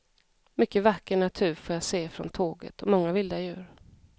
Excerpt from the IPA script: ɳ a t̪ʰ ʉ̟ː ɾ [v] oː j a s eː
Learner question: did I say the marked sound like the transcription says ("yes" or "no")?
no